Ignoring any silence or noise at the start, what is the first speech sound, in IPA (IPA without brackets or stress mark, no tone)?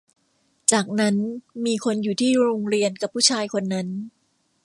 t͡ɕ